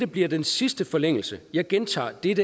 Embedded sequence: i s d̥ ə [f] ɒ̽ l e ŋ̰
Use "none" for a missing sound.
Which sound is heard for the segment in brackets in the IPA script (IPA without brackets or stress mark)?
f